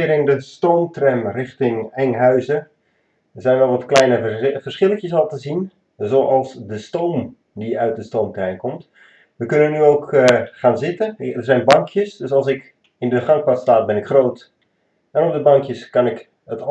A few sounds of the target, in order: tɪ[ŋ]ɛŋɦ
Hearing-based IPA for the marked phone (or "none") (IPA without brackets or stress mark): ŋ